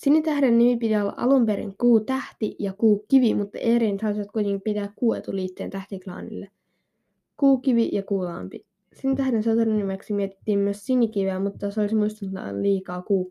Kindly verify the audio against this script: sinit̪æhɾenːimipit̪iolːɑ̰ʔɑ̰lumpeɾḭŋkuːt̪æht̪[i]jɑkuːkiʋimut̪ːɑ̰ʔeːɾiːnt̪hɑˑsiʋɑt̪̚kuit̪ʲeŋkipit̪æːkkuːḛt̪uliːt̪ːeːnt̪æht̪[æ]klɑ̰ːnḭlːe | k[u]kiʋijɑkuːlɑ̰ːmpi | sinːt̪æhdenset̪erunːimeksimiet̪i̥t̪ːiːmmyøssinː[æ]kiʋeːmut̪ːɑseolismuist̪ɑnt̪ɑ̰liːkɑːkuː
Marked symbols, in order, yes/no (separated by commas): yes, no, no, no